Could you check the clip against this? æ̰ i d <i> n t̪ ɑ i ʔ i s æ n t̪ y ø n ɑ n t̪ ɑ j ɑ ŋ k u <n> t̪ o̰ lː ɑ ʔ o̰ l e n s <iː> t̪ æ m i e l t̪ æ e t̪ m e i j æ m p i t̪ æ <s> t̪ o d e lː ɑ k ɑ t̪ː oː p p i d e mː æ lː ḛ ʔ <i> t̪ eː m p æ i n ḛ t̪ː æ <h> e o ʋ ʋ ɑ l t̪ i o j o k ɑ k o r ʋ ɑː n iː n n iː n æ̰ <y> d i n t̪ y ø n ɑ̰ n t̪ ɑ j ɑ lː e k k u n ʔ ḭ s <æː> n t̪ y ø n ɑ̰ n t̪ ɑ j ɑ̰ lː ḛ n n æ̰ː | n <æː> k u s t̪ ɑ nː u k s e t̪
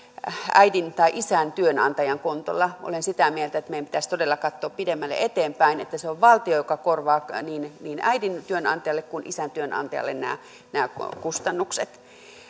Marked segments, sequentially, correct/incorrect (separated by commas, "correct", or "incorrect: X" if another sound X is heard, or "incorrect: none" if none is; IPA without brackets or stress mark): correct, correct, incorrect: i, correct, incorrect: e, incorrect: s, incorrect: i, incorrect: æ, correct